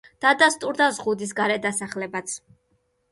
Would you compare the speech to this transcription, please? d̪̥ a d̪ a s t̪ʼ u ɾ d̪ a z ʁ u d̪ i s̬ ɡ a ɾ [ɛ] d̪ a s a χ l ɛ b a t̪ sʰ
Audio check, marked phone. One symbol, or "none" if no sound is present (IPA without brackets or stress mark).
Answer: ɛ